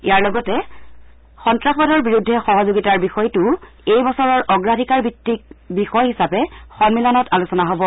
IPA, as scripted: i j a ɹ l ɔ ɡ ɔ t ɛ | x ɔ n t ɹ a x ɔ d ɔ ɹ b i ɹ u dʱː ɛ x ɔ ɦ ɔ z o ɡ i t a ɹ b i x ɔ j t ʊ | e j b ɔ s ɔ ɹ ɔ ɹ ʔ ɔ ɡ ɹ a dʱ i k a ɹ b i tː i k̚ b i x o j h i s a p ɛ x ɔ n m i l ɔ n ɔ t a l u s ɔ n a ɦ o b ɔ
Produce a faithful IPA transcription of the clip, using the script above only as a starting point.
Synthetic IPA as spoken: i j a ɹ l ɔ ɡ ɔ t ɛ | x ɔ n t ɹ a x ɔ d ɔ ɹ b i ɹ u dʱː ɛ x ɔ ɦ ɔ z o ɡ i t a ɹ b i x ɔ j t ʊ | e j b ɔ s ɔ ɹ ɔ ɹ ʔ ɔ ɡ ɹ a dʱ i k a ɹ b i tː i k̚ b i x ɔ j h i s a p ɛ x ɔ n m i l ɔ n ɔ t a l u s ɔ n a ɦ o b ɔ